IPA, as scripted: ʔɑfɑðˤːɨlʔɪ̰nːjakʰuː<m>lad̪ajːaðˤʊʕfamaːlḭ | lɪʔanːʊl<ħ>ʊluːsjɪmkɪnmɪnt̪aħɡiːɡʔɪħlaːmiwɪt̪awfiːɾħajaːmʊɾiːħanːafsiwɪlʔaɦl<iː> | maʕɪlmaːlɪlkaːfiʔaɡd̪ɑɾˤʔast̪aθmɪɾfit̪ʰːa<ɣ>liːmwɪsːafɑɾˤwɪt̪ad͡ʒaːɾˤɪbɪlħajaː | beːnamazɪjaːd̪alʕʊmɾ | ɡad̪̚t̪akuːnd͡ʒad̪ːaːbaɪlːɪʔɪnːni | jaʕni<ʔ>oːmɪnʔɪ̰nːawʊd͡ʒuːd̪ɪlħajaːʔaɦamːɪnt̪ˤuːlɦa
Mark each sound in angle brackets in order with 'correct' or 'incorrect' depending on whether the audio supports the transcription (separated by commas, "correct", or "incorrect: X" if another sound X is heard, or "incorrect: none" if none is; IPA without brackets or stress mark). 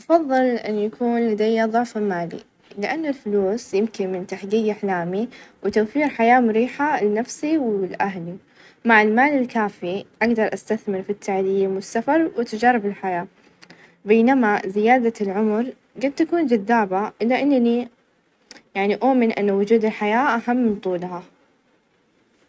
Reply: incorrect: n, incorrect: f, incorrect: i, incorrect: ʕ, correct